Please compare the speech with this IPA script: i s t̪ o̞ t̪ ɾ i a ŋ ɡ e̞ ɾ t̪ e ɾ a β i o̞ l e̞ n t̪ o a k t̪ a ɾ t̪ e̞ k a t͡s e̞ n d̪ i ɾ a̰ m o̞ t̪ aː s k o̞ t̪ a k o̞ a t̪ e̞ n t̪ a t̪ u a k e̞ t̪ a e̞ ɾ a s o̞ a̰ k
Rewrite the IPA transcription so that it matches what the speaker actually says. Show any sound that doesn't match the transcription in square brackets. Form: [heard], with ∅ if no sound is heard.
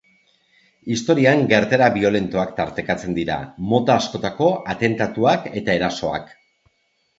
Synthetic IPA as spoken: i s t̪ o̞ [∅] ɾ i a ŋ ɡ e̞ ɾ t̪ e ɾ a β i o̞ l e̞ n t̪ o a k t̪ a ɾ t̪ e̞ k a t͡s e̞ n d̪ i ɾ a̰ m o̞ t̪ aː s k o̞ t̪ a k o̞ a t̪ e̞ n t̪ a t̪ u a k e̞ t̪ a e̞ ɾ a s o̞ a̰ k